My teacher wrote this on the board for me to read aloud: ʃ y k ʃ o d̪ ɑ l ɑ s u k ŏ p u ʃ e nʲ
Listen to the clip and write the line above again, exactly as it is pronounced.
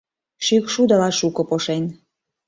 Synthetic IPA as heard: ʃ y k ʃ u d̪ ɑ l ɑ ʃ u k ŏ p o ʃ e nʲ